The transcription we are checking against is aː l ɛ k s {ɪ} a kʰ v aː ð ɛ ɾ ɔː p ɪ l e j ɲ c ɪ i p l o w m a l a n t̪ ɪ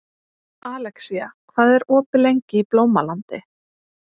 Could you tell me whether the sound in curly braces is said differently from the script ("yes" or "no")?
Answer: yes